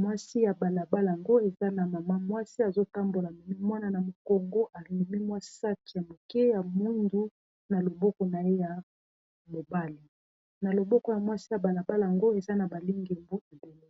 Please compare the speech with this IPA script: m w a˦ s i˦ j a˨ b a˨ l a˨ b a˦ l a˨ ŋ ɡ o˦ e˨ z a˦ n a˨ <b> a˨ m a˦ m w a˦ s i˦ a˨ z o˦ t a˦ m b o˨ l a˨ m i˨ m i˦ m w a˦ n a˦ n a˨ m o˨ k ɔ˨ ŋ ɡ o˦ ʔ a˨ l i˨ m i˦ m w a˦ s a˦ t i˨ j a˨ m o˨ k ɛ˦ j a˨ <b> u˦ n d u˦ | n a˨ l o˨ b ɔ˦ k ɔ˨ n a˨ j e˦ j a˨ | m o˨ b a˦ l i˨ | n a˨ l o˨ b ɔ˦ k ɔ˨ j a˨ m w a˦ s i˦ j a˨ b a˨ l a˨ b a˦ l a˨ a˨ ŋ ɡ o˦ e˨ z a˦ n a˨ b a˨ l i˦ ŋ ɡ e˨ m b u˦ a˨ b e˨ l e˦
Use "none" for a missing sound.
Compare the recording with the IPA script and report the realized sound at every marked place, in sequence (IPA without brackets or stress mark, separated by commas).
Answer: m, m